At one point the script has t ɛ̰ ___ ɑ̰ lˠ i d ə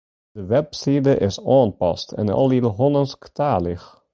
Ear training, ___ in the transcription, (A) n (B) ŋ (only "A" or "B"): A